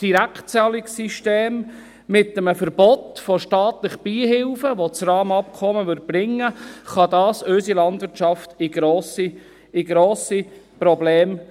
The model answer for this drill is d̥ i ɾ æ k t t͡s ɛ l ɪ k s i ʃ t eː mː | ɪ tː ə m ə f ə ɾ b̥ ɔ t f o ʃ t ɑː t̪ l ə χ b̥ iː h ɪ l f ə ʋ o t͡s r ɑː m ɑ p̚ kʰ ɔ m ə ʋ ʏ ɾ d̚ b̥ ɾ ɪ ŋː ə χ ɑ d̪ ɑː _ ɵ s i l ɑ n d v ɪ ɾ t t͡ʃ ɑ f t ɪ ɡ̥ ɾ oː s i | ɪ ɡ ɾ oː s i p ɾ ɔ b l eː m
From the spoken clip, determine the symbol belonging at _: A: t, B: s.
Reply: B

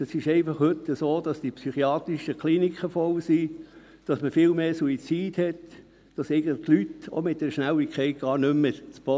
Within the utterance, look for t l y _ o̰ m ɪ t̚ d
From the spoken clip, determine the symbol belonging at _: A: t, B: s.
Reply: A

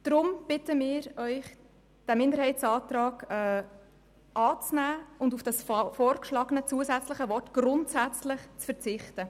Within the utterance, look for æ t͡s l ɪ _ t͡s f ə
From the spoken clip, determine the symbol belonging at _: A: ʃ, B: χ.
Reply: B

